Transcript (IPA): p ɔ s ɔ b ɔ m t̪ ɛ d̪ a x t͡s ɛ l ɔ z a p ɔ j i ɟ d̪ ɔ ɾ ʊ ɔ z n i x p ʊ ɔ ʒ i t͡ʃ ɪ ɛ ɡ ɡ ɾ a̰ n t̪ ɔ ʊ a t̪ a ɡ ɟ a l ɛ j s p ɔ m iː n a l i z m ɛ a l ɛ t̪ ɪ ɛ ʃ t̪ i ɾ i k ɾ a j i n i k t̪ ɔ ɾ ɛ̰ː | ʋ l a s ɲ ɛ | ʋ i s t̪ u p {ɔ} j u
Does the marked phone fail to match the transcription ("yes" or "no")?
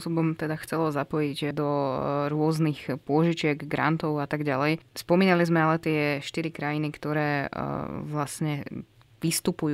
yes